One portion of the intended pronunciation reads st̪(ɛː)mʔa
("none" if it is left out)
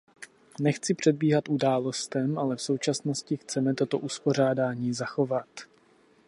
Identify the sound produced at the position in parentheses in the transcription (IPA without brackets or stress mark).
ɛ